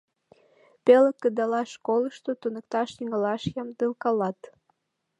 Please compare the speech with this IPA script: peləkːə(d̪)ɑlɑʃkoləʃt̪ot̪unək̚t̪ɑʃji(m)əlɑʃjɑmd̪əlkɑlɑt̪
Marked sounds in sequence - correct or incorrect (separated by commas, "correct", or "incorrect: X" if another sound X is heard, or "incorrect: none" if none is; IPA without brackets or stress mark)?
correct, incorrect: ŋ